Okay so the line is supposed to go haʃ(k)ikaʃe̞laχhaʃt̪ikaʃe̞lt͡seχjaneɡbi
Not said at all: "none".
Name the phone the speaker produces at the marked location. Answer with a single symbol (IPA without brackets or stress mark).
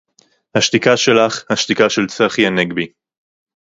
t